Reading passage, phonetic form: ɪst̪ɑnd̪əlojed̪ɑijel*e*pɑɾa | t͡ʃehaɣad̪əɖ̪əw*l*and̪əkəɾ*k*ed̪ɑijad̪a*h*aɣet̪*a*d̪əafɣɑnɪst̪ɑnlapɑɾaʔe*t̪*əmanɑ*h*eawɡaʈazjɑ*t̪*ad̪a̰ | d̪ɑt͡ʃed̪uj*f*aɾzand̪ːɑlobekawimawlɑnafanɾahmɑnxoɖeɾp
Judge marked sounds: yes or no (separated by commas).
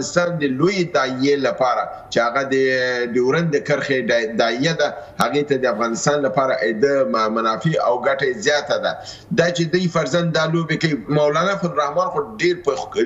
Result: no, no, no, yes, yes, no, no, yes, yes